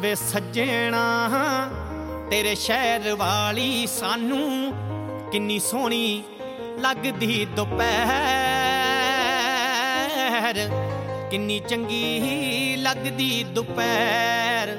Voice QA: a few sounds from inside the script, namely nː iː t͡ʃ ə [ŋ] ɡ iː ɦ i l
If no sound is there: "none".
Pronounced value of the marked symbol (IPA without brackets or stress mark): ŋ